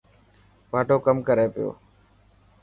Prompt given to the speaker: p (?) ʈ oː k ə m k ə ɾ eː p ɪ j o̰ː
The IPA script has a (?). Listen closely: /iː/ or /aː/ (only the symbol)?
aː